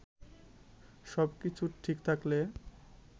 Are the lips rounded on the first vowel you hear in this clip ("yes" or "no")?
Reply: yes